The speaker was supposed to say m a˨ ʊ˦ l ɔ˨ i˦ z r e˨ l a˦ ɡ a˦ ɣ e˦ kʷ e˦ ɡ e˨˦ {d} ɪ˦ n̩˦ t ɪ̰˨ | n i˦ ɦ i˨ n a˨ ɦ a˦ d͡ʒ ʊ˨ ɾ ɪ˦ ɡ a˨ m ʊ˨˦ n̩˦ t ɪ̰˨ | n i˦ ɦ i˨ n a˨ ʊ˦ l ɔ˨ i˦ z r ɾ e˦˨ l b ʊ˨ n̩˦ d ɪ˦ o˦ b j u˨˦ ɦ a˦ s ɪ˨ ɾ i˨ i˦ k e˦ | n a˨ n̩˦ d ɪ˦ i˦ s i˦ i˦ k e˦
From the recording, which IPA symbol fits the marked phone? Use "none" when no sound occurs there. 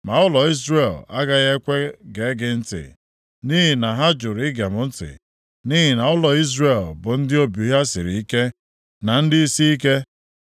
ɡ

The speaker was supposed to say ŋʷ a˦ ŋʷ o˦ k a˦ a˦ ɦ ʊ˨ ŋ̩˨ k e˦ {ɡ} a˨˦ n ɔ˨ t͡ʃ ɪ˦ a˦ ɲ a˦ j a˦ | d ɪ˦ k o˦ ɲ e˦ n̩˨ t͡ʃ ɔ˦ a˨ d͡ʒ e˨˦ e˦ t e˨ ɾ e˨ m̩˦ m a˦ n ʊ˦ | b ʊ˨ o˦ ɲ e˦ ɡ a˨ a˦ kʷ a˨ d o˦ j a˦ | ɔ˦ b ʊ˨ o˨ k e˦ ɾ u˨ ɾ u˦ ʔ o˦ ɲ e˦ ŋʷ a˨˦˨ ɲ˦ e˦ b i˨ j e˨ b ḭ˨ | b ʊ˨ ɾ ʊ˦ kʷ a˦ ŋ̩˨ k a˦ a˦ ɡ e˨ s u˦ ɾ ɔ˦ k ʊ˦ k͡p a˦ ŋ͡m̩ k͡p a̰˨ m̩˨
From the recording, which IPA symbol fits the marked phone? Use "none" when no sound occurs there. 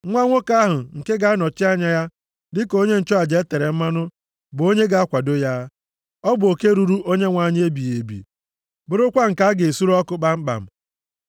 ɡ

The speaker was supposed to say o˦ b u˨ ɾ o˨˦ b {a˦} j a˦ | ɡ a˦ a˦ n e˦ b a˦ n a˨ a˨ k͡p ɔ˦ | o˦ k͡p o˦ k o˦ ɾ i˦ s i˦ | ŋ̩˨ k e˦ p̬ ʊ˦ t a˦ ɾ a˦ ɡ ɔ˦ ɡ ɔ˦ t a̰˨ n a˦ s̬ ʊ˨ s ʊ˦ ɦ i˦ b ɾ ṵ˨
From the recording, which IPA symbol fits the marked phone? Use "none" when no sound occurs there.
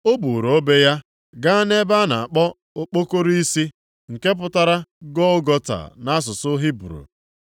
e˦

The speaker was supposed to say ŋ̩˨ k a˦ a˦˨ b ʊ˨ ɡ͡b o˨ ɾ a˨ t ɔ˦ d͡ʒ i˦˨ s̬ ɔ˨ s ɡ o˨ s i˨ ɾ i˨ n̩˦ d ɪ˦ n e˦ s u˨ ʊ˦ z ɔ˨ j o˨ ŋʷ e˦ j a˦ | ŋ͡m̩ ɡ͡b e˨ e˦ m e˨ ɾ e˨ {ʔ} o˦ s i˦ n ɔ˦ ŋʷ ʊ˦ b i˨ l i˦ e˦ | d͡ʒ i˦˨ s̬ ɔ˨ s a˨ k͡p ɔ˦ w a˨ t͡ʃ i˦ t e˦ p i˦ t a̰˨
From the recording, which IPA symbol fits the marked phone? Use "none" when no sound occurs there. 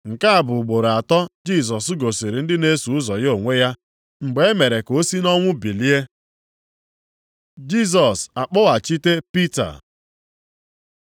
k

